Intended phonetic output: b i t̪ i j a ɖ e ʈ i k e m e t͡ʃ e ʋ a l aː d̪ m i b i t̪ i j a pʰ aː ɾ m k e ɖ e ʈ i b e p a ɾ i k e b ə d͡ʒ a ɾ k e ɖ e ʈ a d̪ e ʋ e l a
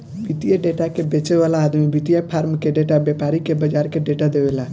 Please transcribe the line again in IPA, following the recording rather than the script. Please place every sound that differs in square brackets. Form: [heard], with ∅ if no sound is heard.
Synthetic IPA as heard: b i t̪ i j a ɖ e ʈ [a] k e [b] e t͡ʃ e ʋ a l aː d̪ m i b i t̪ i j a pʰ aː ɾ m k e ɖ e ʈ [a] b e p a ɾ i k e b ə d͡ʒ a ɾ k e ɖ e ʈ a d̪ e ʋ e l a